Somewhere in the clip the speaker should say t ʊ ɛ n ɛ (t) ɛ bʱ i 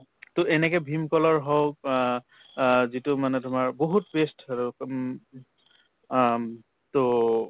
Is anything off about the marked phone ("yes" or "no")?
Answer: yes